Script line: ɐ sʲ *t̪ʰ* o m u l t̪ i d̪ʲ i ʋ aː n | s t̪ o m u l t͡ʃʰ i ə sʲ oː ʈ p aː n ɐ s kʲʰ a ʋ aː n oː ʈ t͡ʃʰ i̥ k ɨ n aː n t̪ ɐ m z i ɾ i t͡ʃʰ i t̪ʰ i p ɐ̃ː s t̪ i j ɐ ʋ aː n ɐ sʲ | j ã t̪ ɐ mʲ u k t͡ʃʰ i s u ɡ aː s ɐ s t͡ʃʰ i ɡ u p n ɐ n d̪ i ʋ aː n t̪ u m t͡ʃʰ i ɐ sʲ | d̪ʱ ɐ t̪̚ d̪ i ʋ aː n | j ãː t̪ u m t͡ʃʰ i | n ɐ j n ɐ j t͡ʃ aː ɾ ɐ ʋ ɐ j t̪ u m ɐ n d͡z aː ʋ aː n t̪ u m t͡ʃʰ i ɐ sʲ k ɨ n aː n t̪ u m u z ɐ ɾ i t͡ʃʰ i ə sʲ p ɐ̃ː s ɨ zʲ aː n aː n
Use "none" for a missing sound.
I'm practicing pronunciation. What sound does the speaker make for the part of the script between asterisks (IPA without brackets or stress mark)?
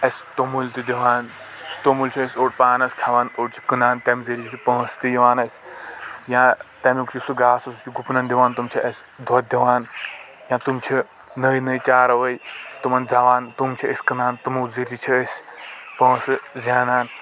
t̪